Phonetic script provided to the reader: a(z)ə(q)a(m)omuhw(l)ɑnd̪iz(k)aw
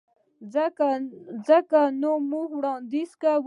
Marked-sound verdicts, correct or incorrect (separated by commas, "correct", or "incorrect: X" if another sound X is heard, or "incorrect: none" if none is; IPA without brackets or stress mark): correct, incorrect: k, incorrect: n, incorrect: ɽ, correct